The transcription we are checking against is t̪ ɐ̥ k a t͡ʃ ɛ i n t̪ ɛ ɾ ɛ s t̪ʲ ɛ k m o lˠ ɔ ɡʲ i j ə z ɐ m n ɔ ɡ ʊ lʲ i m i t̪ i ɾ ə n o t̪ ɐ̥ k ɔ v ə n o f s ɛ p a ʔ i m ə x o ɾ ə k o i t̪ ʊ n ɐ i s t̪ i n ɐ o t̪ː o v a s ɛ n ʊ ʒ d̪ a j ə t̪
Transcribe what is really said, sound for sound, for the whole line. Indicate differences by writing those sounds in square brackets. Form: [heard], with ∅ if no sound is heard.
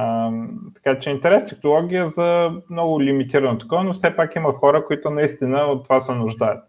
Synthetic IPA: t̪ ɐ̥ k a t͡ʃ ɛ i n t̪ ɛ ɾ ɛ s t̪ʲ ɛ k [n] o lˠ ɔ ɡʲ i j ə z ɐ m n ɔ ɡ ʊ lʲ i m i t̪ i ɾ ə n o t̪ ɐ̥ k ɔ v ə n o f s ɛ p a [k] i m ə x [ɔ] ɾ ə k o i t̪ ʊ n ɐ i s t̪ i n [ə] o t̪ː o v a s ɛ n ʊ ʒ d̪ a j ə t̪